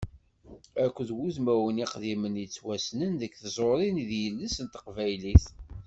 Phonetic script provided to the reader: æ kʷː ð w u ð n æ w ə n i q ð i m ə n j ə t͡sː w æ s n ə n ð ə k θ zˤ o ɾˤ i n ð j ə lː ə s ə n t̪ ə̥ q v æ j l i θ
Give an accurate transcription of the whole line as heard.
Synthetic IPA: æ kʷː ð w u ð m æ w ə n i q ð i m ə n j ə t͡sː w æ s n ə n ð ə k θ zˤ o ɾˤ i n ð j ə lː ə s ə n t̪ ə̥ q v æ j l i θ

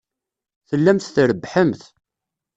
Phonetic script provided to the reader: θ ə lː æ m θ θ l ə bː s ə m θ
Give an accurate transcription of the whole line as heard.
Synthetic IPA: θ ə lː æ m θ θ ɾ ə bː ħ ə m θ

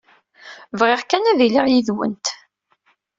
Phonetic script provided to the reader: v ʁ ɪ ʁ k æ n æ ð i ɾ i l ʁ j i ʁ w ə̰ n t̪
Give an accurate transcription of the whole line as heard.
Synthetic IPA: v ʁ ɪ ʁ k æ n æ ð i l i ʁ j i ð w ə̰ n t̪

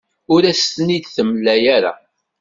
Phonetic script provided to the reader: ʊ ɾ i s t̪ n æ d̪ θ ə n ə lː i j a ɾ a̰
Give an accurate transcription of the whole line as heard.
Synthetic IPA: ʊ ɾ æ s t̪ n i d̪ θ ə m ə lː æ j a ɾ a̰

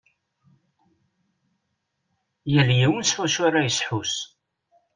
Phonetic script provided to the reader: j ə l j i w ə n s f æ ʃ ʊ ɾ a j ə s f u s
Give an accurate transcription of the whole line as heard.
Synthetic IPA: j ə l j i w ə n s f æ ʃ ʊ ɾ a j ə s ħ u s

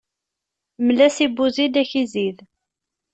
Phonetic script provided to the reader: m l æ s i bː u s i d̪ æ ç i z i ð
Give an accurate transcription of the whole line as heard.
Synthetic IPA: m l æ s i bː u z i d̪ æ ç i z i ð

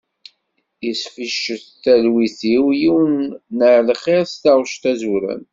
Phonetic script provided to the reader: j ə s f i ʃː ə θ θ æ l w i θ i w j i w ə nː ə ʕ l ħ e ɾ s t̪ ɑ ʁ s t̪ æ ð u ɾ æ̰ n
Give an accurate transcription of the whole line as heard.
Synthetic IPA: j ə s f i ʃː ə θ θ æ l w i θ i w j i w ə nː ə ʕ l χ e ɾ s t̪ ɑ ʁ ʃ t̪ æ z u ɾ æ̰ n

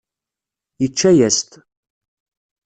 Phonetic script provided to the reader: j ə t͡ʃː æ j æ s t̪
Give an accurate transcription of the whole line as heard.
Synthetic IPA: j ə t͡ʃː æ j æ s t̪

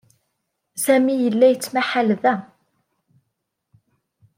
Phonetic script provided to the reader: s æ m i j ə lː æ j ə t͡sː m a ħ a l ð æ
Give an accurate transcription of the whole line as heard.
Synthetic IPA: s æ m i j ə lː æ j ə t͡sː m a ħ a l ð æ

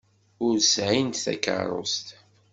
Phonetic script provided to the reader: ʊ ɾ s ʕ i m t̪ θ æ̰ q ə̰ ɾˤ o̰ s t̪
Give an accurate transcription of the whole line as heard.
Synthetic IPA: ʊ ɾ s ʕ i n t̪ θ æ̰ k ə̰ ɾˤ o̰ s t̪

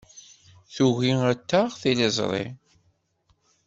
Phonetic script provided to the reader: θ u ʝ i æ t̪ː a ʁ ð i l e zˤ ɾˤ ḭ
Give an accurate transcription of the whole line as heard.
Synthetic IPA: θ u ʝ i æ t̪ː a ʁ θ i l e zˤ ɾˤ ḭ

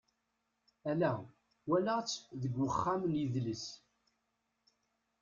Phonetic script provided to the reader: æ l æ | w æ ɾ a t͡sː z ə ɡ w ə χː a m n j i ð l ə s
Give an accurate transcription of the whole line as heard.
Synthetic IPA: æ l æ | w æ l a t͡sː ð ə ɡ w ə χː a m n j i ð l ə s

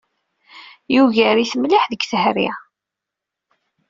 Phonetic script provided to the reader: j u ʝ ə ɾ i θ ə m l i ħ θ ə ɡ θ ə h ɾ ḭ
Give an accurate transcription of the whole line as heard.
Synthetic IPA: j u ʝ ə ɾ i θ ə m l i ħ ð ə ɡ θ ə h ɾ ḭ

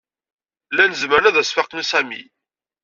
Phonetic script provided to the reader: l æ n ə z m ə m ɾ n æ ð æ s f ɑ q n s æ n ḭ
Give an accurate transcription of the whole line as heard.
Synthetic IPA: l æ n ə z m ə ɾ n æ ð æ s f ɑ q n s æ m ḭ

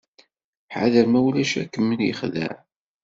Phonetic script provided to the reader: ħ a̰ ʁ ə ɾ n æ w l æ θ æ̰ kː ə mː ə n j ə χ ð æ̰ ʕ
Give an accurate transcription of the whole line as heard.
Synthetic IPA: ħ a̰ ð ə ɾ m æ w l æ ʃ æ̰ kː ə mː ə n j ə χ ð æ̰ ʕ

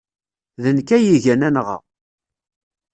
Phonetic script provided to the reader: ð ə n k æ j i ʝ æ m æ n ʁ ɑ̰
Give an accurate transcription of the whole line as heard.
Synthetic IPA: ð ə n k æ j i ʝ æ n æ n ʁ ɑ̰

